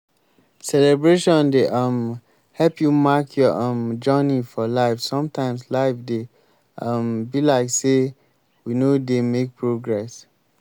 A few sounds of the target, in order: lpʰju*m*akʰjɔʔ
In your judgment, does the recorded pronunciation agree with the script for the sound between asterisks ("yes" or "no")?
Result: yes